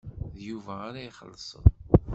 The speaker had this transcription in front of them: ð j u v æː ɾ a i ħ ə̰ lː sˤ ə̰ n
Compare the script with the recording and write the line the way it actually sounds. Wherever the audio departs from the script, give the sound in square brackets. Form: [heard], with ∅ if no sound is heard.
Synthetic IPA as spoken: ð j u v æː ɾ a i [χ] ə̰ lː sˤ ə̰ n